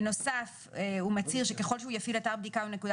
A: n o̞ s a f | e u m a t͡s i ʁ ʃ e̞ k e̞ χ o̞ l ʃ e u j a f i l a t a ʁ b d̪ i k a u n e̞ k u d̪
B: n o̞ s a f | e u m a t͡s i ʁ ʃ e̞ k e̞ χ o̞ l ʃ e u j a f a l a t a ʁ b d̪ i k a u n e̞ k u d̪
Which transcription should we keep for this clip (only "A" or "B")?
A